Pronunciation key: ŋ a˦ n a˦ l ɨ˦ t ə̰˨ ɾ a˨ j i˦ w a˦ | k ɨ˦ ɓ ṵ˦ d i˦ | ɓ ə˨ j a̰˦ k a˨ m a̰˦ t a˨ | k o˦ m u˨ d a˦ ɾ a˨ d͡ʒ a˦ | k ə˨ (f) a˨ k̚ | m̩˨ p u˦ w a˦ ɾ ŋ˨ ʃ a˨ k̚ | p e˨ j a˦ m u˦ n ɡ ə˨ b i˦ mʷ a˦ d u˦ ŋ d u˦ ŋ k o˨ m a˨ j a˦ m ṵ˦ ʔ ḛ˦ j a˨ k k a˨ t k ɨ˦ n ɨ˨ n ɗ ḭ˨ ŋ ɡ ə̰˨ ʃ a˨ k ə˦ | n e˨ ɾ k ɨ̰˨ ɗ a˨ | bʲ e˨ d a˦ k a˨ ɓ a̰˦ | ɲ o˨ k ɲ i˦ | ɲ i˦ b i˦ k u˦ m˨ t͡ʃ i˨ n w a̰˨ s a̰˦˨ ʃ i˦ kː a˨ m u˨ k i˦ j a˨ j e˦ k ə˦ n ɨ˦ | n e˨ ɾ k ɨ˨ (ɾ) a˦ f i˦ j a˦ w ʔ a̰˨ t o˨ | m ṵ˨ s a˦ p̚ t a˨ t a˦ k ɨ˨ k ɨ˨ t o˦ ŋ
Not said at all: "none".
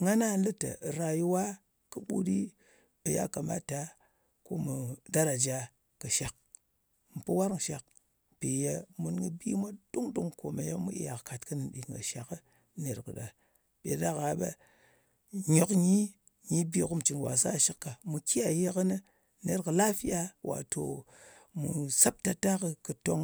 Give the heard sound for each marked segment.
ʃ, l

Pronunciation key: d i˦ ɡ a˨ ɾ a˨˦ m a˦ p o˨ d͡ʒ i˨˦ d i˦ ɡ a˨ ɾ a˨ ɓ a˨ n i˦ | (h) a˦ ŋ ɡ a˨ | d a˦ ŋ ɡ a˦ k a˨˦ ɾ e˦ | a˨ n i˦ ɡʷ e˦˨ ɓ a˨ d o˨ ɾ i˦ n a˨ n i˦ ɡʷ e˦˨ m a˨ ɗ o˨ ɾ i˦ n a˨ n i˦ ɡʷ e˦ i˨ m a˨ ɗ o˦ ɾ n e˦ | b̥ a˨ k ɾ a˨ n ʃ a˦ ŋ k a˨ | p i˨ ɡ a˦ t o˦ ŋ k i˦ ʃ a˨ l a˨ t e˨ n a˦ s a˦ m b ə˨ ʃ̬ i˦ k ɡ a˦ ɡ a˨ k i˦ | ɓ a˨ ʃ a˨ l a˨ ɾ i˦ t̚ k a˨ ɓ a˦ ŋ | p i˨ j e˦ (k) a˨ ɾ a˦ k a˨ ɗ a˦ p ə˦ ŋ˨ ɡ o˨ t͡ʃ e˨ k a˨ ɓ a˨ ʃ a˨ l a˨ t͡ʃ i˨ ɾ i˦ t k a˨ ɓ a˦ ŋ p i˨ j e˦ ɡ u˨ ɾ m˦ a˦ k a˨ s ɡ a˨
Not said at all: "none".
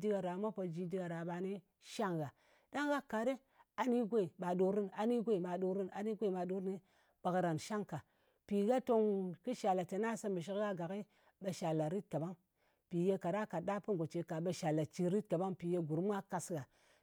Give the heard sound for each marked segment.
ʃ, k

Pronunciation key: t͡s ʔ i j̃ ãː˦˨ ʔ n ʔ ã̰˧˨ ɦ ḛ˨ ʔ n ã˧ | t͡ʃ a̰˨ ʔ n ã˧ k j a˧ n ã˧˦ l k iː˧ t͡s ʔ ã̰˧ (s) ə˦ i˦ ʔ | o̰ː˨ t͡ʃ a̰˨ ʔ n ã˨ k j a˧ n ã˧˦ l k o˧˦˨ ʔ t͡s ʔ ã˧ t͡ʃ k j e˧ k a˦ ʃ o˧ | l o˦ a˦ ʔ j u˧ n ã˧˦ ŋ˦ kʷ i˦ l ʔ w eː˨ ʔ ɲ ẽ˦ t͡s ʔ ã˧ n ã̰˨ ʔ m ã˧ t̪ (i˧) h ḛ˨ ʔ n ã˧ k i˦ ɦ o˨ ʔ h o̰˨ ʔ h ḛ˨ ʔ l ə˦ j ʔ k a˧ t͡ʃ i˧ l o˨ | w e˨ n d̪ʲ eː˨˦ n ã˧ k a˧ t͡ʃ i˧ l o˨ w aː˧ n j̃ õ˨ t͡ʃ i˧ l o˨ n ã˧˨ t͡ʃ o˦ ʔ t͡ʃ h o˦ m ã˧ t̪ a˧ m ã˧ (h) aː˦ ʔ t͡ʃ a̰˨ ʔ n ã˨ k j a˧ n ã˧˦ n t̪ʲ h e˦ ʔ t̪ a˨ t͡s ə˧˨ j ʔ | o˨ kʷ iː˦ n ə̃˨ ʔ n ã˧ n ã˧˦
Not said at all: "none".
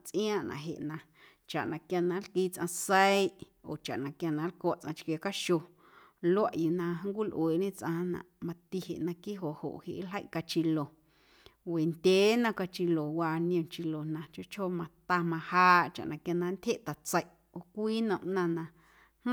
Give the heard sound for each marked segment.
s, i˧, h

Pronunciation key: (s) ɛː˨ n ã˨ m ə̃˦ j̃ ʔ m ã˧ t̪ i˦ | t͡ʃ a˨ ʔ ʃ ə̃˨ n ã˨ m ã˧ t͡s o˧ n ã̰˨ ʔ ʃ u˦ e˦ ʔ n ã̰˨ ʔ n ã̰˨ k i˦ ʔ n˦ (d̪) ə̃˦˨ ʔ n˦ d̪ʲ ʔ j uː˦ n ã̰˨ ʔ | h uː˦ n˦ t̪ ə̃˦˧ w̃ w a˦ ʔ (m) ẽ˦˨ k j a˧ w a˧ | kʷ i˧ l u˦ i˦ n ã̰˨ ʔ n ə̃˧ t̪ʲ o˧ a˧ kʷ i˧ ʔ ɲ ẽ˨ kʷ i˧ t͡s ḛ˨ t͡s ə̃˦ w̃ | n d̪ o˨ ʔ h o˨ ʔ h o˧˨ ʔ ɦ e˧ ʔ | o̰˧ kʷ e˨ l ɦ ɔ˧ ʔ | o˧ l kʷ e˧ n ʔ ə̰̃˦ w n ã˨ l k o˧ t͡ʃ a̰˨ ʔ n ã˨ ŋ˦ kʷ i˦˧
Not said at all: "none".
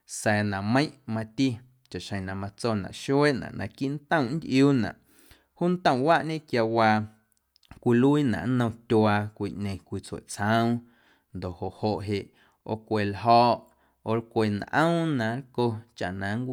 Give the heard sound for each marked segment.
s, t̪, ɲ

